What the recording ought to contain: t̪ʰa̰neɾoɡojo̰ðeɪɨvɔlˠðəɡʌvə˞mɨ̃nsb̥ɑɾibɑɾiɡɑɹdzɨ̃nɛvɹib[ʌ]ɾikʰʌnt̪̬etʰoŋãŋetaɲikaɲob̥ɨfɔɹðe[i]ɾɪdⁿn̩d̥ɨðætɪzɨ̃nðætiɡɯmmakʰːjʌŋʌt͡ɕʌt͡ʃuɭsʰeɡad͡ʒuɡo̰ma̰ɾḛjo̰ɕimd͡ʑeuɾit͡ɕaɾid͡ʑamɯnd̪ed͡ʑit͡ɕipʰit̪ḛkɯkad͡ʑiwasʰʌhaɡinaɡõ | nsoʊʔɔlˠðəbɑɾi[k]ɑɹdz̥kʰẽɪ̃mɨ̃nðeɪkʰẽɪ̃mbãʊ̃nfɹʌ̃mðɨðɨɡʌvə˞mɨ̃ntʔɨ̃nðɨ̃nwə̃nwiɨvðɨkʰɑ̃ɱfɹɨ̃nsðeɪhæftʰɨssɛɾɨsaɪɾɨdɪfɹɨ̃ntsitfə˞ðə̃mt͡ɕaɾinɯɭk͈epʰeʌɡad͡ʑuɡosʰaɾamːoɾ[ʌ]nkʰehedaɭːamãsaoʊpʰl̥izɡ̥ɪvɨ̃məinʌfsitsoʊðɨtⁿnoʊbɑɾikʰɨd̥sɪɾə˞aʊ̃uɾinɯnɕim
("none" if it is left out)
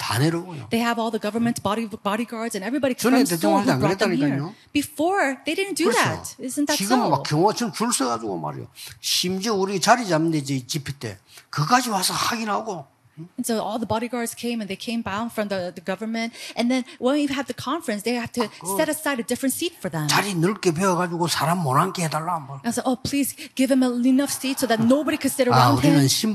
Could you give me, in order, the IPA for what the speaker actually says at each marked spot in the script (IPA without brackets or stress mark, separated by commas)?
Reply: ɑ, ɪ, ɡ, a